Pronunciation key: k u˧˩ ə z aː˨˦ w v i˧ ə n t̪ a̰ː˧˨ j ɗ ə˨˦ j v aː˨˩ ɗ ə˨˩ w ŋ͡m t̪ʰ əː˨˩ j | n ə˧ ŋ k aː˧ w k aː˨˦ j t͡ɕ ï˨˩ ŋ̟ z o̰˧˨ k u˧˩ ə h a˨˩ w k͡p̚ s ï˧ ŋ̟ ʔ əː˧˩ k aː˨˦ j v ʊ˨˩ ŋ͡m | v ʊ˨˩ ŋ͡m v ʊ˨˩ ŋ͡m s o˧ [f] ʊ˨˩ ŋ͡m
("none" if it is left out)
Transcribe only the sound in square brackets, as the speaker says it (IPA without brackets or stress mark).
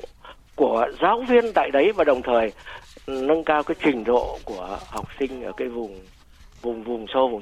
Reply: v